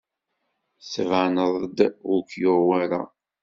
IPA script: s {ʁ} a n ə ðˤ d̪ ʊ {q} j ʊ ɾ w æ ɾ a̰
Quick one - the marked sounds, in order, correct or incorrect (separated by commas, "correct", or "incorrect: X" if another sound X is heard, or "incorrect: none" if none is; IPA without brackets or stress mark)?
incorrect: v, incorrect: k